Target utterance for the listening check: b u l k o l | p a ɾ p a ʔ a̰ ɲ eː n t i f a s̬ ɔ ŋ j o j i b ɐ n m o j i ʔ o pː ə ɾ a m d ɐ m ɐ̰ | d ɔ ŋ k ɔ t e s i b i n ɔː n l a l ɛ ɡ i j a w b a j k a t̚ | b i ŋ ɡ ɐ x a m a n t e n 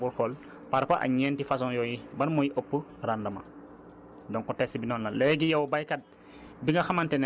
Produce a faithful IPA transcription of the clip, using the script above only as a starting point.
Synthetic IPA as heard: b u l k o l | p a ɾ p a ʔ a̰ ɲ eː n t i f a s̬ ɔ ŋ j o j i b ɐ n m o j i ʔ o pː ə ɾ a n d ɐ m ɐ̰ | d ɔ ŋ k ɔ t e s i b i n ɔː n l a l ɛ ɡ i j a w b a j k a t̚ | b i ŋ ɡ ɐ x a m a n t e n